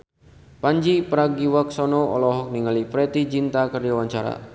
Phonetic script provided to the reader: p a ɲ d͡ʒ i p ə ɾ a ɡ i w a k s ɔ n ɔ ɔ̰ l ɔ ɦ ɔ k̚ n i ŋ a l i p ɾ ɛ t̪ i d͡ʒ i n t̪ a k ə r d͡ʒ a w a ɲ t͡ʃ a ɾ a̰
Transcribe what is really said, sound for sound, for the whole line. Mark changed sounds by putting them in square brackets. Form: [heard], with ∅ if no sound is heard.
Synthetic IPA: p a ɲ d͡ʒ i p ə ɾ a ɡ i w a k s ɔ n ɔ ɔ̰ l ɔ ɦ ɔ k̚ n i ŋ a l i p ɾ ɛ t̪ i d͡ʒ i n t̪ a k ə r d͡ʒ a w a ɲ t͡ʃ a ɾ a̰